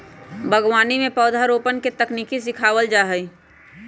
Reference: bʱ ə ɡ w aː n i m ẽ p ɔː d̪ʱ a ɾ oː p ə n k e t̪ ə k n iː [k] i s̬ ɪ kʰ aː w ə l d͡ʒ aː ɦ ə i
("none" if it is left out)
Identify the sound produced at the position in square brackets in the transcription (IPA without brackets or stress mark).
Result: k